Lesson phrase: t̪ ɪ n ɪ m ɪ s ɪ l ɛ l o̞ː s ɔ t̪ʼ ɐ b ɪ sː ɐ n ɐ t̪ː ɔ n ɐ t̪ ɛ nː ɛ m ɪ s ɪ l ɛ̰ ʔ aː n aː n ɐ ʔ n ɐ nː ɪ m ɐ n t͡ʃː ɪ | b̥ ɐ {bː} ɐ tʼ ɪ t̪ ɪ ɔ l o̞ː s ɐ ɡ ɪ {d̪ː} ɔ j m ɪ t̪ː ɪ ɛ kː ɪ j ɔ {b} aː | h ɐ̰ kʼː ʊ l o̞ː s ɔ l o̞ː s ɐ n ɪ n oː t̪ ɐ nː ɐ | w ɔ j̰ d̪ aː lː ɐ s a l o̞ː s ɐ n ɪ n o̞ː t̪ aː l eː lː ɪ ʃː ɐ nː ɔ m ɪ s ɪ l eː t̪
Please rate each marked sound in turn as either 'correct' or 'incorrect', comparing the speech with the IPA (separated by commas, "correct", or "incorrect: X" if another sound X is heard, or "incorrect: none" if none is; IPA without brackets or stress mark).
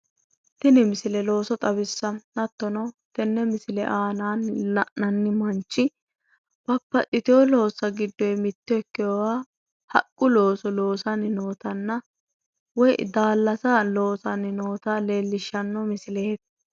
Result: incorrect: pː, correct, incorrect: w